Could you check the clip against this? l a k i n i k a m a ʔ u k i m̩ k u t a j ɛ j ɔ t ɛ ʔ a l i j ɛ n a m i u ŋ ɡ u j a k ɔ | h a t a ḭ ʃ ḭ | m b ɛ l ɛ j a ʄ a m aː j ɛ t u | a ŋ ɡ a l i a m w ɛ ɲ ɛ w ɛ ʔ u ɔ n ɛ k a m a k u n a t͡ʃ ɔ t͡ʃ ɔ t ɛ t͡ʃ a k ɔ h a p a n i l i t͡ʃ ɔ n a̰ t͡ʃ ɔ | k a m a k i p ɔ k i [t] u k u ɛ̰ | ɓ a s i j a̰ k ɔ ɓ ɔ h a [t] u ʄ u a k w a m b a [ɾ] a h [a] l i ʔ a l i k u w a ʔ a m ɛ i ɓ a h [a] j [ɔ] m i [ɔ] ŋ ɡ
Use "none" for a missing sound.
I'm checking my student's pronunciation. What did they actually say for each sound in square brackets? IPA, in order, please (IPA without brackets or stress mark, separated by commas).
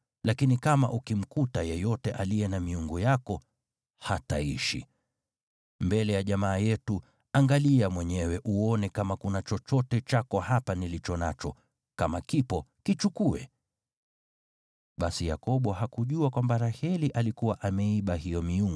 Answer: t͡ʃ, k, ɾ, ɛ, i, ɔ, u